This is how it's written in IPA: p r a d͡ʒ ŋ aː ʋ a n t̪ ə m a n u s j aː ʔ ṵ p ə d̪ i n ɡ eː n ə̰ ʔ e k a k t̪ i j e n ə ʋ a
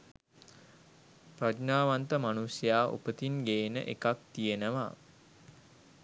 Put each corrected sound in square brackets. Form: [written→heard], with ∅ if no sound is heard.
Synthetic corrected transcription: p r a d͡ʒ [ŋ→n] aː ʋ a n t̪ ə m a n u s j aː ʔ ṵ p ə [d̪→t̪] i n ɡ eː n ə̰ ʔ e k a k t̪ i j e n ə ʋ a